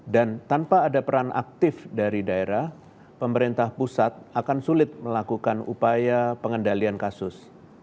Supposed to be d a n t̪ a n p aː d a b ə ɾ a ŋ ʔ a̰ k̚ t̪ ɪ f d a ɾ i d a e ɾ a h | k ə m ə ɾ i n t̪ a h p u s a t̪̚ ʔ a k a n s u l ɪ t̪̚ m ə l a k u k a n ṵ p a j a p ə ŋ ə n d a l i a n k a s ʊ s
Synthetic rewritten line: d a n t̪ a n p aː d a p ə ɾ a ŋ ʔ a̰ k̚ t̪ ɪ f d a ɾ i d a e ɾ a h | p ə m ə ɾ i n t̪ a h p u s a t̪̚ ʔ a k a n s u l ɪ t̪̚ m ə l a k u k a n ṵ p a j a p ə ŋ ə n d a l i a n k a s ʊ s